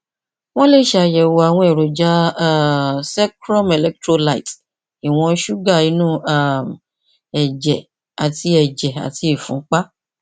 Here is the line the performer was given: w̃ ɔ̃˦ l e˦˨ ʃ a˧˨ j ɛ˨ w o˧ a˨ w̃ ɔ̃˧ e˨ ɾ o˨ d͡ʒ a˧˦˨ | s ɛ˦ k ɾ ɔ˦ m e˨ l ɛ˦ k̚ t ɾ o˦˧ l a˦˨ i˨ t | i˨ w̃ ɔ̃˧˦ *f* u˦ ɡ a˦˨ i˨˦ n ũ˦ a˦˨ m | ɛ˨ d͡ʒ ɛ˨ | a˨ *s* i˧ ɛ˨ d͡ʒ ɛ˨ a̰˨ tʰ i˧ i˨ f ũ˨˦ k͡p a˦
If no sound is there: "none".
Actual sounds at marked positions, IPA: ʃ, t

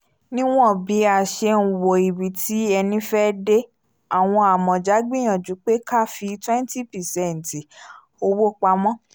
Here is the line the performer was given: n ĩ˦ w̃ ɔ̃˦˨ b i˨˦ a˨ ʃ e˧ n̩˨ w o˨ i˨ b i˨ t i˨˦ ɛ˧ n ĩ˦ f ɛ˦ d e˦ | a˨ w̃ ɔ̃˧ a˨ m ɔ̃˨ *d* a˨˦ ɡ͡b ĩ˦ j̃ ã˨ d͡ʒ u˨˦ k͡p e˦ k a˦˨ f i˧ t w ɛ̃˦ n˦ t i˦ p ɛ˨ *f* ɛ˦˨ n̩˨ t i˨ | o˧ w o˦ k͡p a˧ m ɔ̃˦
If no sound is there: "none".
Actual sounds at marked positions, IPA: d͡ʒ, s

